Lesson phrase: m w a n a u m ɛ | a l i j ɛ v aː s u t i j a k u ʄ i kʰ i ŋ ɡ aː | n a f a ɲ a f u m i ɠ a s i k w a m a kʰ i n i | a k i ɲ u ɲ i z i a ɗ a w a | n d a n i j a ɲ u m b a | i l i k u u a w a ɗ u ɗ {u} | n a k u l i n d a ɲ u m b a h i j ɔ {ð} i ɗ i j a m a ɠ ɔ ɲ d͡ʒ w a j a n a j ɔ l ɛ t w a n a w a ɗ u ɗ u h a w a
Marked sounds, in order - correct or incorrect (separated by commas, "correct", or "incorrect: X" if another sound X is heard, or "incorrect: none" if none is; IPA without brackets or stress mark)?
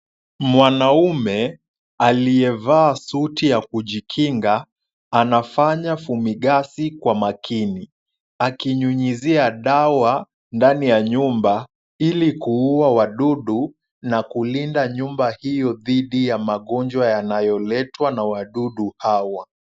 correct, correct